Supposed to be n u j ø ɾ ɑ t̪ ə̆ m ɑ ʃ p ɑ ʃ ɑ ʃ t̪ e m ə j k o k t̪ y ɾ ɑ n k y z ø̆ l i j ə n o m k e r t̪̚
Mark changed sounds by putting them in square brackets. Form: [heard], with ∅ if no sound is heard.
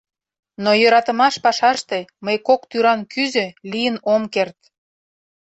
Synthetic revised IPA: n [o] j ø ɾ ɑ t̪ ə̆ m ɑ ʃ p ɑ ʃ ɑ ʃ t̪ e m ə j k o k t̪ y ɾ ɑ n k y z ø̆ l i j ə n o m k e r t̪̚

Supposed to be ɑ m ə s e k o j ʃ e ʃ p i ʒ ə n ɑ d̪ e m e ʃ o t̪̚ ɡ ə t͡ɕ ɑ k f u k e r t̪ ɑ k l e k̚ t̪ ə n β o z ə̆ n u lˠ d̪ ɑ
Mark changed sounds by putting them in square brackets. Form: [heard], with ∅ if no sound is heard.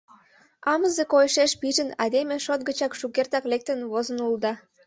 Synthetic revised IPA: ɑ m ə [z] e k o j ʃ e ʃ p i ʒ ə n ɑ d̪ e m e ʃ o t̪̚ ɡ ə t͡ɕ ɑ k [ʃ] u k e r t̪ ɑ k l e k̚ t̪ ə n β o z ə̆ n u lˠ d̪ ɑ

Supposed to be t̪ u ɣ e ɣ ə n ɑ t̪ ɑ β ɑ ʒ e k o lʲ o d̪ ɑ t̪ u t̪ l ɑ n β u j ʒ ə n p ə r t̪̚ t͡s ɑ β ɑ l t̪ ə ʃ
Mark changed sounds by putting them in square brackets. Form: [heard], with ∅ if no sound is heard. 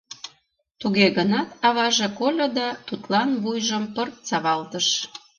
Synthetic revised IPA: t̪ u ɣ e ɣ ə n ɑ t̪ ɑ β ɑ ʒ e k o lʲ o d̪ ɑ t̪ u t̪ l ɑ n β u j ʒ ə [m] p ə r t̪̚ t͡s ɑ β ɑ l t̪ ə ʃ

